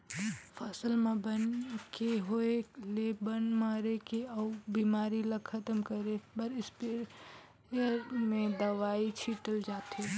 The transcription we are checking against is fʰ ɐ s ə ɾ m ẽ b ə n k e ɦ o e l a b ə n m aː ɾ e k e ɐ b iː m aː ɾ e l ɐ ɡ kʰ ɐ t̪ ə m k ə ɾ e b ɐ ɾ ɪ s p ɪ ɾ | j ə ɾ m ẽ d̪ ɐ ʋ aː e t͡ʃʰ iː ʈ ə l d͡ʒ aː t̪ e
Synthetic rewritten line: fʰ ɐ s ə l m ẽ b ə n k e ɦ o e l e b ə n m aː ɾ e k e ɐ b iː m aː ɾ i l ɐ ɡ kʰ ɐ t̪ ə m k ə ɾ e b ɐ ɾ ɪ s p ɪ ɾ | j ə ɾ m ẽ d̪ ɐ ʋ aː i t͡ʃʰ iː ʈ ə l d͡ʒ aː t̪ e